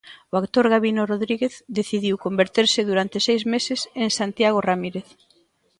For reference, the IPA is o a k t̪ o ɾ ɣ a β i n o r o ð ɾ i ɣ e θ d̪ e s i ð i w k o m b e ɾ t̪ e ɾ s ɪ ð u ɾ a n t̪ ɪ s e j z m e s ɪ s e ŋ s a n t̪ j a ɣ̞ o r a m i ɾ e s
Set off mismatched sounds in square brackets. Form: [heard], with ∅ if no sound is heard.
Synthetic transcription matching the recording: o a k t̪ o ɾ ɣ a β i n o r o ð ɾ i ɣ e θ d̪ e [θ] i ð i w k o m b e ɾ t̪ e ɾ s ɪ ð u ɾ a n t̪ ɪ s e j z m e s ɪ s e ŋ s a n t̪ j a ɣ̞ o r a m i ɾ e [θ]